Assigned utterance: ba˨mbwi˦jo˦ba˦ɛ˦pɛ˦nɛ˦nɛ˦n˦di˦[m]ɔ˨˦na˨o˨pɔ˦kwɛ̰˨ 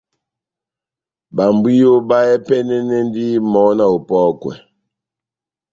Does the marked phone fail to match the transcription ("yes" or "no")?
no